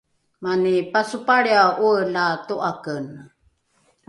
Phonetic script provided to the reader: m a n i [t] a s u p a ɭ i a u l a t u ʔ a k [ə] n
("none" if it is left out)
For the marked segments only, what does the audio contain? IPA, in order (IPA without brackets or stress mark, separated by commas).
p, ə